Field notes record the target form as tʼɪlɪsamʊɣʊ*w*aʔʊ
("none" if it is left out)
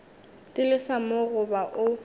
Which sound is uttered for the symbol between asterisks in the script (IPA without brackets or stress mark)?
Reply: b